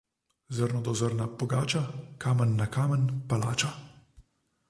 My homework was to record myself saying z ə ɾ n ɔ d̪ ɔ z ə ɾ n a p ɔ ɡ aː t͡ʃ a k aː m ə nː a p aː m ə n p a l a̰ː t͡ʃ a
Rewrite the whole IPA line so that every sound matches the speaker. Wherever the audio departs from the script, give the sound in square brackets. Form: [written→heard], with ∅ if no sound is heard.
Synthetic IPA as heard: z ə ɾ n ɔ d̪ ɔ z ə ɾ n a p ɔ ɡ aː t͡ʃ a k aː m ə nː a [p→k] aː m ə n p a l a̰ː t͡ʃ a